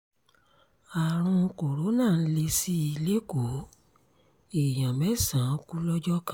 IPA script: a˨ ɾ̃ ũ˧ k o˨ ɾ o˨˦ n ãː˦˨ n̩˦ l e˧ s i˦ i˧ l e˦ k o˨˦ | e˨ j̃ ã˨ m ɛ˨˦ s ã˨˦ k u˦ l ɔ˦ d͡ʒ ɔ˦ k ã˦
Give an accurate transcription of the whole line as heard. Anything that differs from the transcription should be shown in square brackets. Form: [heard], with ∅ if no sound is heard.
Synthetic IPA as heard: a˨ ɾ̃ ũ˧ k o˨ ɾ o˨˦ n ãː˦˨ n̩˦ l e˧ s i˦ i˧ l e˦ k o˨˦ | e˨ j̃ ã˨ m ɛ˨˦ s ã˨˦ k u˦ l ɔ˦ d͡ʒ ɔ˦ k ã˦